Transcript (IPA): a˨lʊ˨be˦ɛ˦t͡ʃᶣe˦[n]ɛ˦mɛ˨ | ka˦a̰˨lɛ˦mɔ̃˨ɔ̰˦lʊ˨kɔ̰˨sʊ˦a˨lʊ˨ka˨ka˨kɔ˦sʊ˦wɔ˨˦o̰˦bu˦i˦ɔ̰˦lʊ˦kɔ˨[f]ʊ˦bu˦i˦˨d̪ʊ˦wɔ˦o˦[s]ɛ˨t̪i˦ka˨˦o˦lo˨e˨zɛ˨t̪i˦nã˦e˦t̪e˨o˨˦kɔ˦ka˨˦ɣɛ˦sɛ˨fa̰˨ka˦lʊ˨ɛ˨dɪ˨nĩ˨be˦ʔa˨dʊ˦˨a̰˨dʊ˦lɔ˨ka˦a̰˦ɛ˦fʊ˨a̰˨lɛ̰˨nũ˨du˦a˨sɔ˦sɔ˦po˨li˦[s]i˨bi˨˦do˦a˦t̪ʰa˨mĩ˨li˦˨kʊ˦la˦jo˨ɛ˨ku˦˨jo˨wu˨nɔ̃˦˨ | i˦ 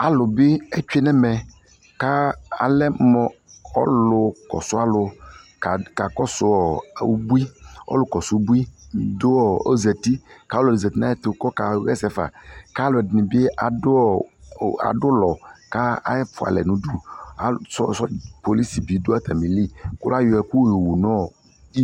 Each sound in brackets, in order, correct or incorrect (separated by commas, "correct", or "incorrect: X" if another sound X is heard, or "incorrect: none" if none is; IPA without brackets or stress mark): correct, incorrect: s, incorrect: z, correct